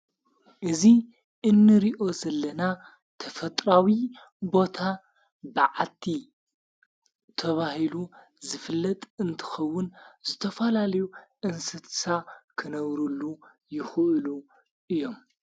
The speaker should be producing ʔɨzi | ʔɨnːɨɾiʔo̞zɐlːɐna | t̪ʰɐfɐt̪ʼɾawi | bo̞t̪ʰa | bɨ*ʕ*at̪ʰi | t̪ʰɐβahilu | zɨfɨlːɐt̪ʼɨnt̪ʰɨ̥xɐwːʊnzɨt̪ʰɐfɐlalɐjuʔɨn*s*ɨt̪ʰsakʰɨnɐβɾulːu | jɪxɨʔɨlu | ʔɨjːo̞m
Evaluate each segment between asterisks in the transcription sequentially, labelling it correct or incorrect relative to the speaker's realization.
correct, correct

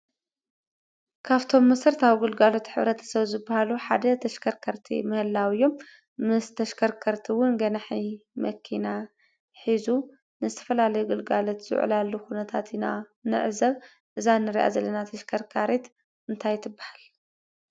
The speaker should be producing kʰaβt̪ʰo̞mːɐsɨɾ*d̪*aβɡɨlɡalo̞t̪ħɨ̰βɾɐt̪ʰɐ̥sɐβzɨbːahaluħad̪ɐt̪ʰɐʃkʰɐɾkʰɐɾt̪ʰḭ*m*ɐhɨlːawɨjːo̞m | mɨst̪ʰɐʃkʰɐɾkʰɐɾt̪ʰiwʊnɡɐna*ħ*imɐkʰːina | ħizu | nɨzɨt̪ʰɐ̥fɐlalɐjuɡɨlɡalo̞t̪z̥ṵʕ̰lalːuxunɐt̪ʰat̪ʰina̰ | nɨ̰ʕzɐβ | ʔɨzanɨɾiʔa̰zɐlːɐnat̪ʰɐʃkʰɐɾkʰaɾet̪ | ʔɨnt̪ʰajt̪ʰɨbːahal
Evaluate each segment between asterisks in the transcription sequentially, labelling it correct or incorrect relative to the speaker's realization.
incorrect: t̪, correct, correct

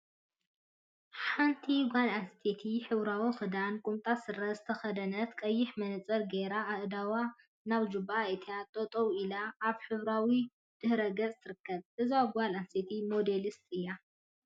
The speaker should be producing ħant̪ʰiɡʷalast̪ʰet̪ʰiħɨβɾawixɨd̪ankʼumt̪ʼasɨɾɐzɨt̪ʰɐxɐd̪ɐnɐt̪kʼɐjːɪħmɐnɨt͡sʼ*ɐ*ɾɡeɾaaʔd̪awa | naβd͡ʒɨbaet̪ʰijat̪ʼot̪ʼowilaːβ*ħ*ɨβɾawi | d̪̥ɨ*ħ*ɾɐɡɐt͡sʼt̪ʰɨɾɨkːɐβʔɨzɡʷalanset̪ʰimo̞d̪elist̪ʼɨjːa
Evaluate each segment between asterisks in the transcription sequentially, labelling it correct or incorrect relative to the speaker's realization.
correct, correct, incorrect: h

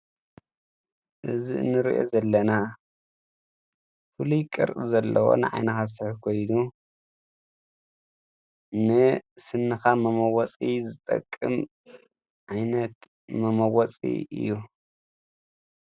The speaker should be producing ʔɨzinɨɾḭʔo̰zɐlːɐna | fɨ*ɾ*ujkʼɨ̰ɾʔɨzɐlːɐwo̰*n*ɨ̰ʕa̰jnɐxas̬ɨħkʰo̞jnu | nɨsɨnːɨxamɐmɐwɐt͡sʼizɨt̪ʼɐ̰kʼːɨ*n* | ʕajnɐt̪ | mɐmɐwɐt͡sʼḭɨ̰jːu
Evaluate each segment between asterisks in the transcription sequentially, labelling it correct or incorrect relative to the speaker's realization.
incorrect: l, correct, incorrect: m

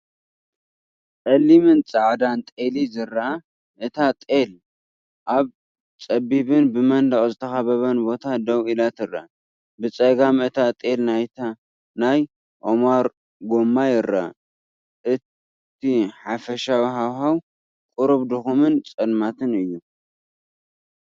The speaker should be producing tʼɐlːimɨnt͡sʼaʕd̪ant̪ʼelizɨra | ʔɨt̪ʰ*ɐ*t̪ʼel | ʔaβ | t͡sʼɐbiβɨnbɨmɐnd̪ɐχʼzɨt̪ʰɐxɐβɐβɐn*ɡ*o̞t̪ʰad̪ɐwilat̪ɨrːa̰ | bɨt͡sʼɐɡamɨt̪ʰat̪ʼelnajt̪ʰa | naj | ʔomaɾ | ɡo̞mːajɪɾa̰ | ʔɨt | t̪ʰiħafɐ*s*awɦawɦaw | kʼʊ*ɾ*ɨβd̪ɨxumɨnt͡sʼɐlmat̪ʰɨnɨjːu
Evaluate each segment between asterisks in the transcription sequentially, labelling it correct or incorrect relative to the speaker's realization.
incorrect: a, incorrect: b, incorrect: ʃ, correct

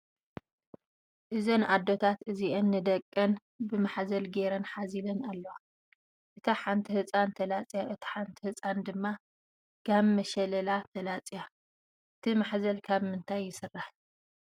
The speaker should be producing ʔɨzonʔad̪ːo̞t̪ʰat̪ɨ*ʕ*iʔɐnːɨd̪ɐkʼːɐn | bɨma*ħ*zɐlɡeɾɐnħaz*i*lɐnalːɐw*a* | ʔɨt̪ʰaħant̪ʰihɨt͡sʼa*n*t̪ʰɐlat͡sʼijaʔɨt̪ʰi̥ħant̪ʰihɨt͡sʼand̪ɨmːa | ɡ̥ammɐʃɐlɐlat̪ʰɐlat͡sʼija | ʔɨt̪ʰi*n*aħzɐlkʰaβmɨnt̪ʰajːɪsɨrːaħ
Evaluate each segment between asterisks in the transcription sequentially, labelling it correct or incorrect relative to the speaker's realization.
incorrect: z, correct, correct, correct, correct, incorrect: m

